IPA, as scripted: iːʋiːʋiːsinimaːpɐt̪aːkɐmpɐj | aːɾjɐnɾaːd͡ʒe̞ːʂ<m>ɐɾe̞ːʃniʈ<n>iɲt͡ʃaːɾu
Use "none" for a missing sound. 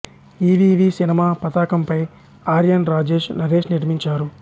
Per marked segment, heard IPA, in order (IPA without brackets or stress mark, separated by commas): n, m